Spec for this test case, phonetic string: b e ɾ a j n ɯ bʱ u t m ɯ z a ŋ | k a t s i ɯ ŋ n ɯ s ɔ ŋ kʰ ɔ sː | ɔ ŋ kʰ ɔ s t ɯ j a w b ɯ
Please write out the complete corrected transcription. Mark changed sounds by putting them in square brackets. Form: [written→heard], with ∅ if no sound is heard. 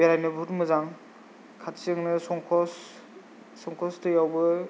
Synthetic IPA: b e ɾ a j n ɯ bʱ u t m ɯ z a ŋ | [k→kʰ] a t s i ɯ ŋ n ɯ s ɔ ŋ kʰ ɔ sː | ɔ ŋ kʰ ɔ s t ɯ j a w b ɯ